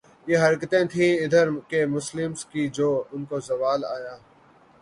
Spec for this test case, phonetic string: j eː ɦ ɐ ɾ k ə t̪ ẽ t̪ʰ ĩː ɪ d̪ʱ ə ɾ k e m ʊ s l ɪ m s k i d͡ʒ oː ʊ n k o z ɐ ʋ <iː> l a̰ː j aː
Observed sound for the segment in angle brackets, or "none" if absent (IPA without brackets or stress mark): aː